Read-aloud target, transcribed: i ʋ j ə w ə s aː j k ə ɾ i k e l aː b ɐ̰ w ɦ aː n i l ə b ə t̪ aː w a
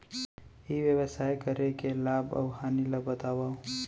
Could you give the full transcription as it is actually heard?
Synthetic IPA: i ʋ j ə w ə s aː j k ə ɾ e k e l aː b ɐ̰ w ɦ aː n i l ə b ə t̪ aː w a